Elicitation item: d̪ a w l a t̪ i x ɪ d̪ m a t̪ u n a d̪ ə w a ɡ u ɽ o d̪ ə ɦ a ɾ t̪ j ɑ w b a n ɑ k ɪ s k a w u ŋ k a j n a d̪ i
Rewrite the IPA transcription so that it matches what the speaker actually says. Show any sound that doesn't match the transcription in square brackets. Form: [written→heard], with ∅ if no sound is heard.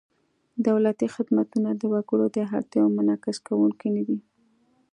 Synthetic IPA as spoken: d̪ a w l a t̪ i x ɪ d̪ m a t̪ u n a d̪ ə w a ɡ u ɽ o d̪ ə ɦ a ɾ t̪ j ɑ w [b→m] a n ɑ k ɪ s k a w u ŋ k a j n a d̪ i